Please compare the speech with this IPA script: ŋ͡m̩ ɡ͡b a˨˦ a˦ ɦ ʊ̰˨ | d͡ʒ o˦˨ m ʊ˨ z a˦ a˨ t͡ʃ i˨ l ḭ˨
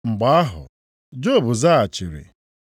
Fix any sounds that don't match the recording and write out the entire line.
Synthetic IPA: ŋ͡m̩ ɡ͡b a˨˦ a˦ ɦ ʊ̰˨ | d͡ʒ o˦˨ b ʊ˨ z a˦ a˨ t͡ʃ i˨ ɾ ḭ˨